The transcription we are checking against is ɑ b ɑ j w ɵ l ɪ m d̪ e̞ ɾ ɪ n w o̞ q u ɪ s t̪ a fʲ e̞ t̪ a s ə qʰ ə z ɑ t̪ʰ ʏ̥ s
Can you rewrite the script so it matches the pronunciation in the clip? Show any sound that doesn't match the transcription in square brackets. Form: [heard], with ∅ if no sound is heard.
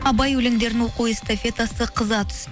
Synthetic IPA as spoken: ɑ b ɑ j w ɵ l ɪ [ŋ] d̪ e̞ ɾ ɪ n w o̞ q u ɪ s t̪ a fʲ e̞ t̪ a s ə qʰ ə z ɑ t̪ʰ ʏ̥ s